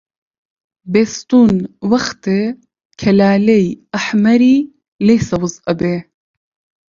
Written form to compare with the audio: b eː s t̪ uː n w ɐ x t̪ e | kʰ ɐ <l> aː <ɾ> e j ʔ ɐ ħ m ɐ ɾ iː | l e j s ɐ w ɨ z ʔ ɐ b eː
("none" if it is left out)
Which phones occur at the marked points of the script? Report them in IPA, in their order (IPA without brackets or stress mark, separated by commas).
l, l